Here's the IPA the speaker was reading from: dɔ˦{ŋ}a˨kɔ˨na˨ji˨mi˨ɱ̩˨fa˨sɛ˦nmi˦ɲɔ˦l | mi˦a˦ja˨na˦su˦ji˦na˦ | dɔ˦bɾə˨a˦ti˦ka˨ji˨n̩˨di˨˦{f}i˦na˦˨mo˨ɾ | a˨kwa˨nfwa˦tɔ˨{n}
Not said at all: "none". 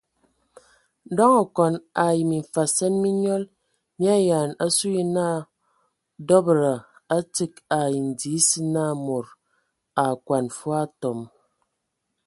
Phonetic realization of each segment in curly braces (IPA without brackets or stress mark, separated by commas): ŋ, s, m